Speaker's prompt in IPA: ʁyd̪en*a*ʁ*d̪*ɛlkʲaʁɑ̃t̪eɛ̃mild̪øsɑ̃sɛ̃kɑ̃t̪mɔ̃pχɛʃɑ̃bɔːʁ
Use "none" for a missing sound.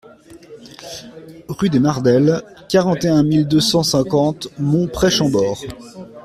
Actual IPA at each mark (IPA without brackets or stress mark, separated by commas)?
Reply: a, d̪